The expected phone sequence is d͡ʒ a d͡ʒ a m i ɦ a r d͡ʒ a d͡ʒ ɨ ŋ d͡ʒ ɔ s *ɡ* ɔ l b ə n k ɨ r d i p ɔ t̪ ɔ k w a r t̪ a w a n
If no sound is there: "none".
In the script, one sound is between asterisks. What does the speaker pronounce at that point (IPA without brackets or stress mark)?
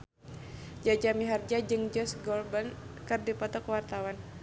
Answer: ɡ